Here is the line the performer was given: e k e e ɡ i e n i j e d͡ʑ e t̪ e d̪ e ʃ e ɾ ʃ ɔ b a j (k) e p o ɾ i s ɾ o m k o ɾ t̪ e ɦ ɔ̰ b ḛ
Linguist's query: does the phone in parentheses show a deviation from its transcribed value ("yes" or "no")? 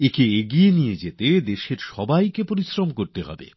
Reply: no